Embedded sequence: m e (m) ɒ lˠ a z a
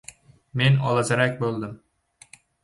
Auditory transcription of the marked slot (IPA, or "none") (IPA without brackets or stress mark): n